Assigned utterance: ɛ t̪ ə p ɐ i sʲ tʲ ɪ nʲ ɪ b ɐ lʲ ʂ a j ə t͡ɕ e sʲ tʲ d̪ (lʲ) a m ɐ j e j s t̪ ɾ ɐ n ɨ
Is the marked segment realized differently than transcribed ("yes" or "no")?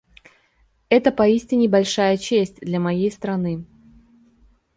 no